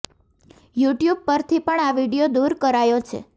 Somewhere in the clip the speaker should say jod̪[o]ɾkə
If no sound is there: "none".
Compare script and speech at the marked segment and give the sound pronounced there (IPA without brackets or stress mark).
u